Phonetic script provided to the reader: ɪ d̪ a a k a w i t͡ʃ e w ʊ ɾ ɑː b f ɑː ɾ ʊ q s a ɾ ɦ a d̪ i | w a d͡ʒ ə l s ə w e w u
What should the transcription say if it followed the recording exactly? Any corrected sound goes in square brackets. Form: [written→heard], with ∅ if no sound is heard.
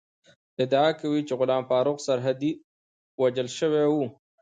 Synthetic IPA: ɪ d̪ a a k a w i t͡ʃ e [w→ɣ] ʊ [ɾ→l] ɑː [b→m] f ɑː ɾ ʊ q s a ɾ ɦ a d̪ i | w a d͡ʒ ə l [s→ʃ] ə w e w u